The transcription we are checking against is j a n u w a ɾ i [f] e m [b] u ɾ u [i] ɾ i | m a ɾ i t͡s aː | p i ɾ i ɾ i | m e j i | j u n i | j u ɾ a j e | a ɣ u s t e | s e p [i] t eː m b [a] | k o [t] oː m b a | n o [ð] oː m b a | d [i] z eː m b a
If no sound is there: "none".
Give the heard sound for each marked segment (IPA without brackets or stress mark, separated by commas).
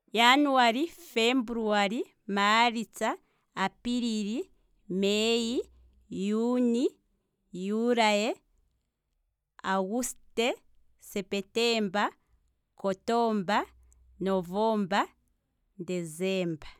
f, b, a, e, a, t, v, e